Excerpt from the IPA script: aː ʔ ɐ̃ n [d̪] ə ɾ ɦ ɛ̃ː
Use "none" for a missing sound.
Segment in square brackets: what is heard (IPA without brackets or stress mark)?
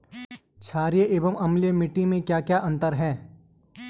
t̪